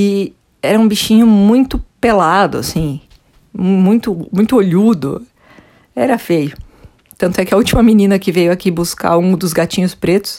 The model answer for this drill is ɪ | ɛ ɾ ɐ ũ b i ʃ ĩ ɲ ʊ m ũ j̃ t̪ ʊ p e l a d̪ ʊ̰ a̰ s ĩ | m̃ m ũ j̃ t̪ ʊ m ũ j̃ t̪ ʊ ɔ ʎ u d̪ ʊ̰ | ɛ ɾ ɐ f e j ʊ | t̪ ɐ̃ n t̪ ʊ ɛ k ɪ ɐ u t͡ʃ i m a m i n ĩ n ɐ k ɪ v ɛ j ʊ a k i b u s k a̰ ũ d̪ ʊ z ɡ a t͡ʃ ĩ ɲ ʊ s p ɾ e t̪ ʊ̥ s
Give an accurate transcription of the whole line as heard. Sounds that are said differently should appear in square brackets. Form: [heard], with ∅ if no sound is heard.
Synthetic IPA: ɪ | ɛ ɾ ɐ ũ b i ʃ ĩ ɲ ʊ m ũ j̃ t̪ ʊ p e l a d̪ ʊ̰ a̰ s ĩ | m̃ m ũ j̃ t̪ ʊ m ũ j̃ t̪ ʊ [o] ʎ u d̪ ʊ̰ | ɛ ɾ ɐ f e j ʊ | t̪ ɐ̃ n t̪ ʊ ɛ k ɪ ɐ u t͡ʃ i m [ɐ] m i n ĩ n ɐ k ɪ v [e] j ʊ a k i b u s k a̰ ũ d̪ ʊ z ɡ a t͡ʃ ĩ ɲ ʊ s p ɾ e t̪ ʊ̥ s